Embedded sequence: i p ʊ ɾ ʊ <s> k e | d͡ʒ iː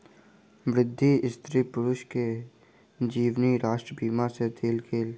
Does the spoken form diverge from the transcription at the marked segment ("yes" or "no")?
yes